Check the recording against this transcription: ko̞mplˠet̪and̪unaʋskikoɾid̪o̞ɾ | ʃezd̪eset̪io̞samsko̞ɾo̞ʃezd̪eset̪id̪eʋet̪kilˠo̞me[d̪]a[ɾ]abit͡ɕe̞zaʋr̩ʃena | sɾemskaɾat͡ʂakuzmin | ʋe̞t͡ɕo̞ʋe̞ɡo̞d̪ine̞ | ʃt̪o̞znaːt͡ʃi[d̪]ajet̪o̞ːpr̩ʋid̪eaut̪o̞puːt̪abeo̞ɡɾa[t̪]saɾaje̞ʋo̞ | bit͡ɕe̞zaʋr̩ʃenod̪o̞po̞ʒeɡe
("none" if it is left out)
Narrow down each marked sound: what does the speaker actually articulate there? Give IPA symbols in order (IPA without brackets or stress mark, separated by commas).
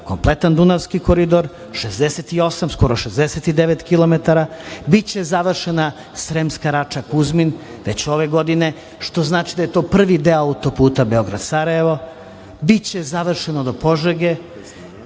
t̪, ɾ, d̪, d̪